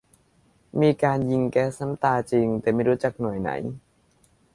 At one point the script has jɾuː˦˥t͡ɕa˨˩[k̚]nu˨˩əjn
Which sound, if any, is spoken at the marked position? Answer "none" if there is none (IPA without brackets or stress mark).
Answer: k̚